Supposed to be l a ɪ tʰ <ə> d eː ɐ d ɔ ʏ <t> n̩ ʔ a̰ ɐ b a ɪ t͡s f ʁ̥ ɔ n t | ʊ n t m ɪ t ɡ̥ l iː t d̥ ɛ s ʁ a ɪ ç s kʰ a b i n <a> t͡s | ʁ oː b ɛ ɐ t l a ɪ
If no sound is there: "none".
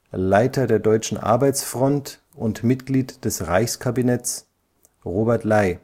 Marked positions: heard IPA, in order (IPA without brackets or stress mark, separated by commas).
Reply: ɐ, t͡ʃ, ɛ